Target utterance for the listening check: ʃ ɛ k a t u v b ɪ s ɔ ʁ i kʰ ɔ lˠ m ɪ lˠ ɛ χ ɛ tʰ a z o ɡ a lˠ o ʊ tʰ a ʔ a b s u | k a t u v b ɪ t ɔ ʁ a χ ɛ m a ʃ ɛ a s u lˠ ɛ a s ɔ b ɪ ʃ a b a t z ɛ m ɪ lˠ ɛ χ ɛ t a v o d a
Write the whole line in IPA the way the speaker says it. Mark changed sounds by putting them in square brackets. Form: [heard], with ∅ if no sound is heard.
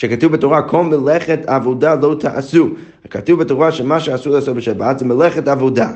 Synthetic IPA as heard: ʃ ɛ k a t u v b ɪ [t] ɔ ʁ [a] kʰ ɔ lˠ m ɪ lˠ ɛ χ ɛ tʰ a [v] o [d] a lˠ o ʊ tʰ a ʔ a [∅] s u | k a t u v b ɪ t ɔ ʁ a [ʃ] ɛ m a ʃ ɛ a s u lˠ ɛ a s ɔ b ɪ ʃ a b a t z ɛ m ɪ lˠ ɛ χ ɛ t a v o d a